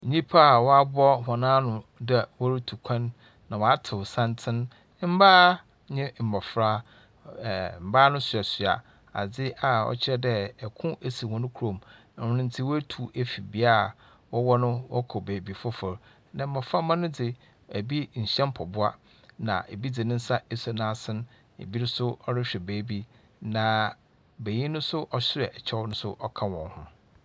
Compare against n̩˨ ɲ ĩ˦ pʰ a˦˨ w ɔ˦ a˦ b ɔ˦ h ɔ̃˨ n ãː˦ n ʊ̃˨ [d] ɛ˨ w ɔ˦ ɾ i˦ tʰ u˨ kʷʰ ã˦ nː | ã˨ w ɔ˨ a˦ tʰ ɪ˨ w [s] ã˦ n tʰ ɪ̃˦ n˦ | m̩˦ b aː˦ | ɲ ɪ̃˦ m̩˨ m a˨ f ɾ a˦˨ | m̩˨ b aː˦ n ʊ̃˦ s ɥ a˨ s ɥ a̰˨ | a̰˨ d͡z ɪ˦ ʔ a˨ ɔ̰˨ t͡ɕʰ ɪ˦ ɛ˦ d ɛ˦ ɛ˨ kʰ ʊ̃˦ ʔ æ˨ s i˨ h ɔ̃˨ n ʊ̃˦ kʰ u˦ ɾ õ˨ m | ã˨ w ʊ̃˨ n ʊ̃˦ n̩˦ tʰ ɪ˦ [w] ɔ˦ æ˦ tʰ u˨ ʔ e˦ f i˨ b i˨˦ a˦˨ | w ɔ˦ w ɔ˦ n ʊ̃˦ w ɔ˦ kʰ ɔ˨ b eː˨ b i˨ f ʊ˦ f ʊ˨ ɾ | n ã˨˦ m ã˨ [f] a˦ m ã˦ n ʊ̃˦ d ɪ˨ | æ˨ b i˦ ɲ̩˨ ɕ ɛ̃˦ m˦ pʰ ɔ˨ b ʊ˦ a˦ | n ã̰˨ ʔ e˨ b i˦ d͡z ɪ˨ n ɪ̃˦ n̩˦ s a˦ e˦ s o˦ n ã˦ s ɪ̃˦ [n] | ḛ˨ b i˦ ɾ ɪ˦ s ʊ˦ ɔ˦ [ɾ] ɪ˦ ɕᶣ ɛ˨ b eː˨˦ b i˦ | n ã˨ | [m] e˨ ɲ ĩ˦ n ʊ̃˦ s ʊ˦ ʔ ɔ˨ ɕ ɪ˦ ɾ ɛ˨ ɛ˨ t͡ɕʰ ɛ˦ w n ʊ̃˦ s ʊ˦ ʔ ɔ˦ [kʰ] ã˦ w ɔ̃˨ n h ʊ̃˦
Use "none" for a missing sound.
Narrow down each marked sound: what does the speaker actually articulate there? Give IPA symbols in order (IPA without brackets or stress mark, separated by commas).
d, s, w, f, n, ɾ, b, kʰ